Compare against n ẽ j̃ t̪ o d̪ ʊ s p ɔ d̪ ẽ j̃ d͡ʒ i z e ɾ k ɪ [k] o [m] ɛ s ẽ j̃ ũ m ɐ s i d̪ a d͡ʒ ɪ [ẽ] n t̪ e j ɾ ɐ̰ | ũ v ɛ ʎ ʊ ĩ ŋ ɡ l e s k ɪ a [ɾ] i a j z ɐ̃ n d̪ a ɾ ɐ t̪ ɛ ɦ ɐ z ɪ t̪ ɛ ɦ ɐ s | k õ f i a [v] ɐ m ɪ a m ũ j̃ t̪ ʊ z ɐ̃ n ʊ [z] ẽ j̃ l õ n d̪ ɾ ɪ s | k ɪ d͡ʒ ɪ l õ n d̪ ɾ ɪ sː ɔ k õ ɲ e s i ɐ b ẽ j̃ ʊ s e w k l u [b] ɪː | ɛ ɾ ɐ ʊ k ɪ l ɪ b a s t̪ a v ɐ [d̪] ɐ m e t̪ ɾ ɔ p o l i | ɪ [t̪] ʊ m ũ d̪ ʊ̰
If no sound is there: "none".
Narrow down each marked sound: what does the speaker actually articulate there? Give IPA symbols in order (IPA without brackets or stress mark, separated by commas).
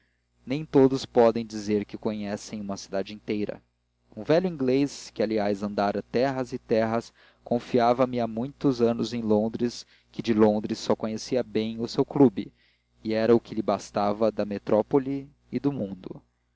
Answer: k, ɲ, ĩ, l, v, z, b, d̪, d̪